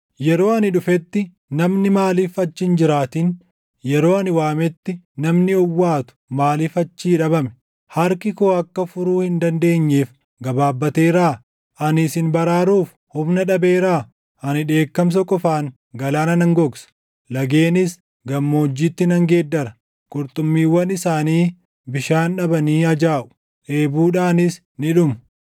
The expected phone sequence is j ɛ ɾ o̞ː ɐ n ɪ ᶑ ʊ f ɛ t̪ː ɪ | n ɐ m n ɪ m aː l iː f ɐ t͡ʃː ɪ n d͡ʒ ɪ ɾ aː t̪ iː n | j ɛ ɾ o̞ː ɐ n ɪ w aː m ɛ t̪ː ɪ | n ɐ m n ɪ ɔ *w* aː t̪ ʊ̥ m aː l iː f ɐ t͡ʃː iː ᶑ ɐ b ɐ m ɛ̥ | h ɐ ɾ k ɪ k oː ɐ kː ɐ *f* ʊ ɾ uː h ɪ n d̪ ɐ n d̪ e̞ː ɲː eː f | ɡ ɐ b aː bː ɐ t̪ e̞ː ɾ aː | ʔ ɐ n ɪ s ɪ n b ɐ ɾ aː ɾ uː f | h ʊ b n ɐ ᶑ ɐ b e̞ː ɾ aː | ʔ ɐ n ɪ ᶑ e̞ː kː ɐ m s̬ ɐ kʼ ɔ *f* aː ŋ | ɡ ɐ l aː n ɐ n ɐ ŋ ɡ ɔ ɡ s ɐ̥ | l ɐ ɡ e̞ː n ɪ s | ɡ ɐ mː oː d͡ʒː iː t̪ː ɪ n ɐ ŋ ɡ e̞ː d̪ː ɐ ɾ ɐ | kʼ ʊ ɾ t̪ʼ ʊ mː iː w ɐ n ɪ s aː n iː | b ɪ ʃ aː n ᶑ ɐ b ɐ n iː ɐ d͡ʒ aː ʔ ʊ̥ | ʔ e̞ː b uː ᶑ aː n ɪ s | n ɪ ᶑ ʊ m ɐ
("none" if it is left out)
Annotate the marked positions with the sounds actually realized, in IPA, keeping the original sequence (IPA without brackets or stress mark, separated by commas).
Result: wː, f, f